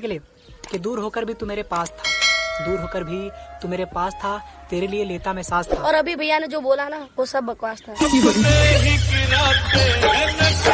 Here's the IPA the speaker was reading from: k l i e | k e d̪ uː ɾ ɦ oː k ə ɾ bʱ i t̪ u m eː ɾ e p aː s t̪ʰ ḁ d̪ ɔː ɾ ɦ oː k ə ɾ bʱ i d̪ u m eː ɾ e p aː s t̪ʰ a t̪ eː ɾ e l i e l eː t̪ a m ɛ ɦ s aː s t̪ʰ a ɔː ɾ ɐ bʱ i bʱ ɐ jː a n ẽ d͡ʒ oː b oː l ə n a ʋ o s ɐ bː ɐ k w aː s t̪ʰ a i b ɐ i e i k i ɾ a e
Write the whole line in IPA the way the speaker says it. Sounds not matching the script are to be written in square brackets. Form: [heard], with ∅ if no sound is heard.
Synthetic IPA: k l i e | k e d̪ uː ɾ ɦ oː k ə ɾ bʱ i t̪ u m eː ɾ e p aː s t̪ʰ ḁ d̪ [uː] ɾ ɦ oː k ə ɾ bʱ i [t̪] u m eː ɾ e p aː s t̪ʰ a t̪ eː ɾ e l i e l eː t̪ a m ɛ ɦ s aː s t̪ʰ a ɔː ɾ ɐ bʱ i bʱ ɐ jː a n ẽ d͡ʒ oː b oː l [a] n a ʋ o s ɐ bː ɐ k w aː s t̪ʰ a i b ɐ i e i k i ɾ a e